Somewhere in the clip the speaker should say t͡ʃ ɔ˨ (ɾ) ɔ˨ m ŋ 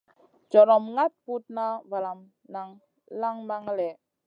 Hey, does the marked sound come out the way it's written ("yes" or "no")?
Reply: yes